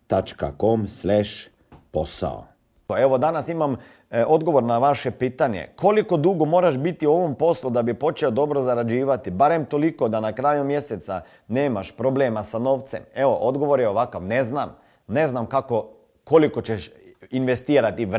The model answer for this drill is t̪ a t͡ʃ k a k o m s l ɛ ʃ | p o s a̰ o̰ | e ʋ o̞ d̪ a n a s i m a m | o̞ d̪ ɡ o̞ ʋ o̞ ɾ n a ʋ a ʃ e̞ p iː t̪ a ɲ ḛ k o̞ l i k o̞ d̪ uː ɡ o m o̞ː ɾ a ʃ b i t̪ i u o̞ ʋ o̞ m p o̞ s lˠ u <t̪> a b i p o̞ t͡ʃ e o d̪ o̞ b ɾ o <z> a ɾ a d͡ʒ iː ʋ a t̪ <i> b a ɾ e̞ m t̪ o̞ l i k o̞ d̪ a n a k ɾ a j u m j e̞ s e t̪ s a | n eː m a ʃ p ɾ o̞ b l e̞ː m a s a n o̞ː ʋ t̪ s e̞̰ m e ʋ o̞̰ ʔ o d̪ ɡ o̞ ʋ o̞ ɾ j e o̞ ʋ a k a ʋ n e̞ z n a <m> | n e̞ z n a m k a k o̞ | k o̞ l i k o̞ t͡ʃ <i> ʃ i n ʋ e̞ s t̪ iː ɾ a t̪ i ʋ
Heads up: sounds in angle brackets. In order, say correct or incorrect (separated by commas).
incorrect, correct, correct, correct, incorrect